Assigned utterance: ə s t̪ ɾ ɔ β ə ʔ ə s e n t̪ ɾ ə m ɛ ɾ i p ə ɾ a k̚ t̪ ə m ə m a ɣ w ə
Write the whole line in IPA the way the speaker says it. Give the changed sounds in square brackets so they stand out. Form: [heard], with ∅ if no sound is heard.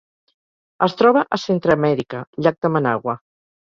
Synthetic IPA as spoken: ə s t̪ ɾ ɔ β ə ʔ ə s e n t̪ ɾ ə m ɛ ɾ i [k] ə [ʎ] a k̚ [d̪] ə m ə [n] a ɣ w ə